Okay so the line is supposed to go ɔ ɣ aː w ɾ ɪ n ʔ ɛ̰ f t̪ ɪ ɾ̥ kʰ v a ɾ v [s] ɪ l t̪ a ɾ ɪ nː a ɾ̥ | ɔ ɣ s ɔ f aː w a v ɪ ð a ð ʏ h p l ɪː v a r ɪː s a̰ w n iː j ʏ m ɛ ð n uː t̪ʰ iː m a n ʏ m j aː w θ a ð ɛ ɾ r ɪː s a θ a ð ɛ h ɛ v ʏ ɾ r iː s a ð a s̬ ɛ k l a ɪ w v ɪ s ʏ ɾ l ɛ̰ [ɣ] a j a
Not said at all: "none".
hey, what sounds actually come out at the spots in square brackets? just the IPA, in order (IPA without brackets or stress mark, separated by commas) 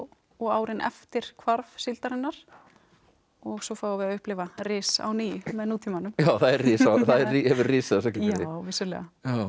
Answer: s, ɣ